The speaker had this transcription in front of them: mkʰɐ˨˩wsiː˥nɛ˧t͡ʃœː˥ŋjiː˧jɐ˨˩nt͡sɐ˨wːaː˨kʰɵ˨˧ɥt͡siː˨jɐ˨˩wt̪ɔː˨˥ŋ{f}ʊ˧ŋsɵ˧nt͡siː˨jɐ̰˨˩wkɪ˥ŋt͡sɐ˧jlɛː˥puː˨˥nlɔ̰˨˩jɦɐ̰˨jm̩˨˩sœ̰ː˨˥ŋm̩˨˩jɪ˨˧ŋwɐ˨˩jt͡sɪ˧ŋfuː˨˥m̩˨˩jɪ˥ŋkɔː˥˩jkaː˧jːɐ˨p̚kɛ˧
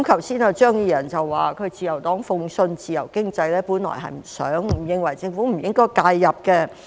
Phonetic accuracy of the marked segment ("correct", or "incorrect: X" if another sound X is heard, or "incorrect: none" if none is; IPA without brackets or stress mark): correct